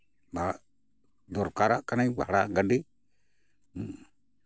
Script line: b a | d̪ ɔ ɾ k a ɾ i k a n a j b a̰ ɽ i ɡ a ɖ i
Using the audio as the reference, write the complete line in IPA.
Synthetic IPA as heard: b a | d̪ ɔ ɾ k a ɾ a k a n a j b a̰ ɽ a ɡ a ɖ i